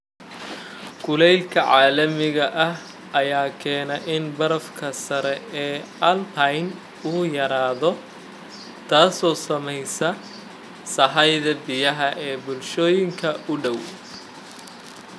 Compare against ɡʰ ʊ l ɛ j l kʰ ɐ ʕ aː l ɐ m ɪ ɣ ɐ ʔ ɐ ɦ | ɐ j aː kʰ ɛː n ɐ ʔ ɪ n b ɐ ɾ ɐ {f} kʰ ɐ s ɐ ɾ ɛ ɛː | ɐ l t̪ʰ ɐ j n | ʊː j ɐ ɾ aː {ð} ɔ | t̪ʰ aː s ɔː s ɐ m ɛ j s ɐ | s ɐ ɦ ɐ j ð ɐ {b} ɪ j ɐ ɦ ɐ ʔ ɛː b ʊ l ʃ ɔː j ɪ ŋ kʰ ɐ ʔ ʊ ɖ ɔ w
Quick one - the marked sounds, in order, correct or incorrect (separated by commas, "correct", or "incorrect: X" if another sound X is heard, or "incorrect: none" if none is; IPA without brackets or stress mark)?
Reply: correct, correct, correct